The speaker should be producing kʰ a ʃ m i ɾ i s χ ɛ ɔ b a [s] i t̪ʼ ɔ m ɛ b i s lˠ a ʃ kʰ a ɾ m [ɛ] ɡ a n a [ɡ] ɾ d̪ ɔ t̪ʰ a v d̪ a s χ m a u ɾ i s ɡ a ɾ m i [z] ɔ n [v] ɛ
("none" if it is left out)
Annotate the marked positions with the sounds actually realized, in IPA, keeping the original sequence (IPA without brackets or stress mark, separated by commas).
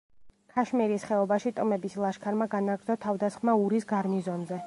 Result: ʃ, a, ɡ, z, z